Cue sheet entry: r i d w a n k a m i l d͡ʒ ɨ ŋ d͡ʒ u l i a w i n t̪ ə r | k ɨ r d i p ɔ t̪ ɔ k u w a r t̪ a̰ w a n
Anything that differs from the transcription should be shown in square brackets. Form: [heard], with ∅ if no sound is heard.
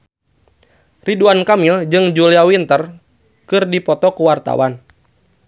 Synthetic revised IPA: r i d [u] a n k a m i l d͡ʒ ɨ ŋ d͡ʒ u l i a w i n t̪ ə r | k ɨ r d i p ɔ t̪ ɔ k u w a r t̪ a̰ w a n